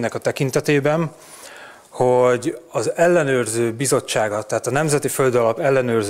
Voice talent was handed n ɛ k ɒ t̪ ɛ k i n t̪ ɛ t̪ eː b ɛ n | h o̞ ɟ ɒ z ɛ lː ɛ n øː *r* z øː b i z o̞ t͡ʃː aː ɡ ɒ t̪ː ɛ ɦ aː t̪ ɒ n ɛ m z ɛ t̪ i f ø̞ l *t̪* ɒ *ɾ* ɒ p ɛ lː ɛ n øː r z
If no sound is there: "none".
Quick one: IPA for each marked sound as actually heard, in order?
r, d̪, l

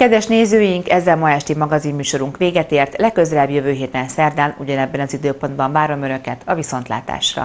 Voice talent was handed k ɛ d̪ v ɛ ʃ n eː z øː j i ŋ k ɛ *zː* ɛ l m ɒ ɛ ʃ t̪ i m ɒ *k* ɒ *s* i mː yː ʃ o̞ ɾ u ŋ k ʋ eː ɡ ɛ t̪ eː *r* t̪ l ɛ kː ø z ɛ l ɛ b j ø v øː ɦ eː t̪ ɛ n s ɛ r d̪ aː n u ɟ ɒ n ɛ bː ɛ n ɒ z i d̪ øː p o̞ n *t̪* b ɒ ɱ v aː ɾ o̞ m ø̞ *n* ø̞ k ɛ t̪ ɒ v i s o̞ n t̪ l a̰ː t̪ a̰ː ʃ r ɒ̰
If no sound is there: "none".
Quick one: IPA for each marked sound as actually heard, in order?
zː, ɡ, z, r, d̪, n

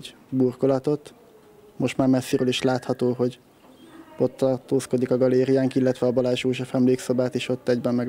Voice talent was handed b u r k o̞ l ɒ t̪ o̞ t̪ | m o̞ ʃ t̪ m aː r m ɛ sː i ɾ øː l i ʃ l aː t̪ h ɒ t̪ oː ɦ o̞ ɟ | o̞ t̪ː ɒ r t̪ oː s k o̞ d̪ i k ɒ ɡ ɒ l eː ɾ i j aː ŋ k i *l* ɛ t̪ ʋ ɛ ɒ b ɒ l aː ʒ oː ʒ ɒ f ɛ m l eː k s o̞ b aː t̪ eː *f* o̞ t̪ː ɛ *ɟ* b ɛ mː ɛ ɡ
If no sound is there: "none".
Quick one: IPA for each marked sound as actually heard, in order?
lː, ʃ, ɟ

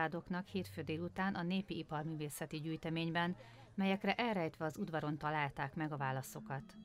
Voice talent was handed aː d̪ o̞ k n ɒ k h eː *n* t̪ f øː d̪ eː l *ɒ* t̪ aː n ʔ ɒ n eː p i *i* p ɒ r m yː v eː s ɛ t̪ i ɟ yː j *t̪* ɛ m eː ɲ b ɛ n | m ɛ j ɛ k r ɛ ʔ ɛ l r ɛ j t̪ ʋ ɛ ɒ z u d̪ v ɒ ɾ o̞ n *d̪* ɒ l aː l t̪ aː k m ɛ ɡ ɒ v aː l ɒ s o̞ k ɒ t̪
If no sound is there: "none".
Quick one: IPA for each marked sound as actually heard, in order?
none, u, i, t̪, t̪

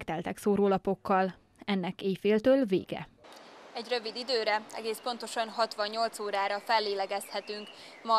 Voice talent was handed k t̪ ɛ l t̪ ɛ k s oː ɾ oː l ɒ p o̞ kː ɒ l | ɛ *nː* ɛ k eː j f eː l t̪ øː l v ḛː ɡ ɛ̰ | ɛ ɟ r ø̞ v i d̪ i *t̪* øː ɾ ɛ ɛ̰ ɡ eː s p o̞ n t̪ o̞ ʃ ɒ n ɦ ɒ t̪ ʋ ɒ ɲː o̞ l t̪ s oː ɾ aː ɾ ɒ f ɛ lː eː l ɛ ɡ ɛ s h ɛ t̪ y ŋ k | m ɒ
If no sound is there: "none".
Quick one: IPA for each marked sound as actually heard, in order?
nː, d̪

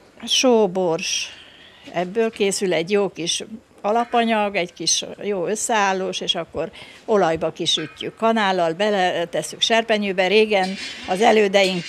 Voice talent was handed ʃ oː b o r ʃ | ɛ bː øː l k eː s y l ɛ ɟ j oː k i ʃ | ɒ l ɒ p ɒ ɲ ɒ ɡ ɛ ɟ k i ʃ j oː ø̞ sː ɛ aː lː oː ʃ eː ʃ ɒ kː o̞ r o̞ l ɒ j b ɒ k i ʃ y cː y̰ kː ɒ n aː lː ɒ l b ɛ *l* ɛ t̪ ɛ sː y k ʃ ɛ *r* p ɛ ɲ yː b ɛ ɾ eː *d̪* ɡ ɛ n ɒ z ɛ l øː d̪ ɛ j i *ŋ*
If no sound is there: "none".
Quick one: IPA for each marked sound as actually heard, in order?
l, r, none, ŋ

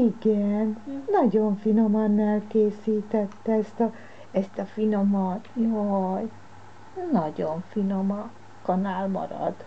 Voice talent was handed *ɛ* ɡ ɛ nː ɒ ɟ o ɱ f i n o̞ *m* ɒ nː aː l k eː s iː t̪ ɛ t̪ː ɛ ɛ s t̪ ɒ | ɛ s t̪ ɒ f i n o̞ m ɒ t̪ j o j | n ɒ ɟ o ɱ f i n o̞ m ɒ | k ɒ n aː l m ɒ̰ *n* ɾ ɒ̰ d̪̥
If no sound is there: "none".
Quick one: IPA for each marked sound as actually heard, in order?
i, m, none

